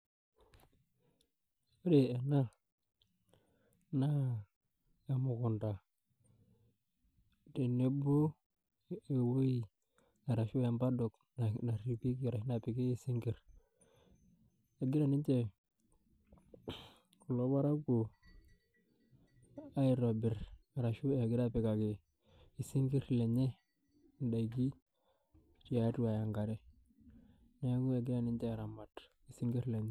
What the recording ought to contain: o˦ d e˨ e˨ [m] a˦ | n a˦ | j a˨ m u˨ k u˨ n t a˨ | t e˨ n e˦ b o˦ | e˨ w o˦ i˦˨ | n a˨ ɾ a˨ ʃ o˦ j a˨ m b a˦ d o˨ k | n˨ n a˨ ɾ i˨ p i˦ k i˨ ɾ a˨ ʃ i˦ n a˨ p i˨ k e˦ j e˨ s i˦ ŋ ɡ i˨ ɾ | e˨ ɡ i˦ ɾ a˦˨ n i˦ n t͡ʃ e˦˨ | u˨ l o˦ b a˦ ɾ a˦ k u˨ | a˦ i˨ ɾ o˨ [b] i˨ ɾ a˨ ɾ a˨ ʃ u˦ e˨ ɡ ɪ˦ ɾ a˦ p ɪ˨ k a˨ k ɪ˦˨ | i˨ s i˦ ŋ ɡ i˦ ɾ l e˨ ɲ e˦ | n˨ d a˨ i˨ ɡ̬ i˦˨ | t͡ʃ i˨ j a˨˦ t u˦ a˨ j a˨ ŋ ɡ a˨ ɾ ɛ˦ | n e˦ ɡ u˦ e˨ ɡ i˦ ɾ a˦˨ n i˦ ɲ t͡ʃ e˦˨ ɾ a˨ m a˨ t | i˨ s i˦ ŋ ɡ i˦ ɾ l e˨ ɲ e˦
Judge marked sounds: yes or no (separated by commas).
no, yes